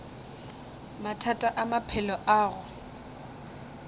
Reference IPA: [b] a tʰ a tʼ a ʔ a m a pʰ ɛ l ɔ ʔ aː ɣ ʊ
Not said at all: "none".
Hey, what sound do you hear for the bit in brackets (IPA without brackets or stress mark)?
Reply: m